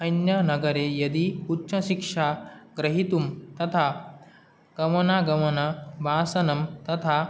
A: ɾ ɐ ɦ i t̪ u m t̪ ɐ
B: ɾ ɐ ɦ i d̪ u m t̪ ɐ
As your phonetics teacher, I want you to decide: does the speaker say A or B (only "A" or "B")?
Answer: A